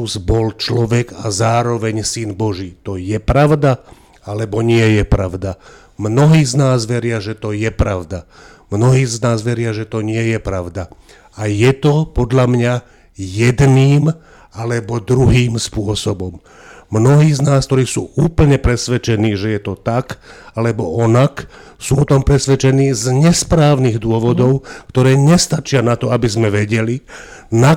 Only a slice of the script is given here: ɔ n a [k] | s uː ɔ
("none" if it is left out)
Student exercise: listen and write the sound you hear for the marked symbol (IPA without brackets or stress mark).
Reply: k